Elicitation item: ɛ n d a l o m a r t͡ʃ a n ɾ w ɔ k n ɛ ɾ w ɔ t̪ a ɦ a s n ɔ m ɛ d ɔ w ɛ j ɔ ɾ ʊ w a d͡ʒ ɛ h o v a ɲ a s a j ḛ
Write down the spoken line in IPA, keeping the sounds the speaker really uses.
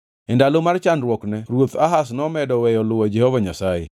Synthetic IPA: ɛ n d a l o m a r t͡ʃ a n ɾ w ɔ k n ɛ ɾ w o t̪ a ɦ a s n ɔ m ɛ d ɔ w ɛ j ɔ l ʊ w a d͡ʒ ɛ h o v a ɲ a s a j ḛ